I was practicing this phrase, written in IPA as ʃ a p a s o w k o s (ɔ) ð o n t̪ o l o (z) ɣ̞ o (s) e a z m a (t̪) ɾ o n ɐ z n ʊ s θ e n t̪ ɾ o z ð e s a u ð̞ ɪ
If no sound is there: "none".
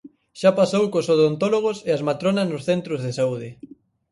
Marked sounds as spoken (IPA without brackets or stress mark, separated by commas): o, none, s, t̪